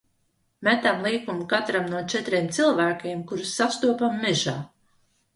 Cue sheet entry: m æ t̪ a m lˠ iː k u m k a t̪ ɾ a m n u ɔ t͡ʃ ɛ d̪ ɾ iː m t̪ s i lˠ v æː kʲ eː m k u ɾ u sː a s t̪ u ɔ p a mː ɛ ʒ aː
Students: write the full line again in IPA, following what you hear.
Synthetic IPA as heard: m æ t̪ a m lˠ iː k u m k a t̪ ɾ a m n u ɔ t͡ʃ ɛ t̪ ɾ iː m t̪ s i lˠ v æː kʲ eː m k u ɾ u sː a s t̪ u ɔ p a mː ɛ ʒ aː